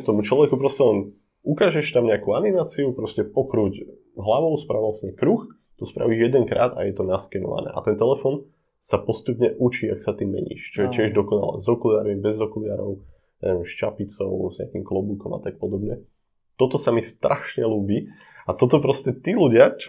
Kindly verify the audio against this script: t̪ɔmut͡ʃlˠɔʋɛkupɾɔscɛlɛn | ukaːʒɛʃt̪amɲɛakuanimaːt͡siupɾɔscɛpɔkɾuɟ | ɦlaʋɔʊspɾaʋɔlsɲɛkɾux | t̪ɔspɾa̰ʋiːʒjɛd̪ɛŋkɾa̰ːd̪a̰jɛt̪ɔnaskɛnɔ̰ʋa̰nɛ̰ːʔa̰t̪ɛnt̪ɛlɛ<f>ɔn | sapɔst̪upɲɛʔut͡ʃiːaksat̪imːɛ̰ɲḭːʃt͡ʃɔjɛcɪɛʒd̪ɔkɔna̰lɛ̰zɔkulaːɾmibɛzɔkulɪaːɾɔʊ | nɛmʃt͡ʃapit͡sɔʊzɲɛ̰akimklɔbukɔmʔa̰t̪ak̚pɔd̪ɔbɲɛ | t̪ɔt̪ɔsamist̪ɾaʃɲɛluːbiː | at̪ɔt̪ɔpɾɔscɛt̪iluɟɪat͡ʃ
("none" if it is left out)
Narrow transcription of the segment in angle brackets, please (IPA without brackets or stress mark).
f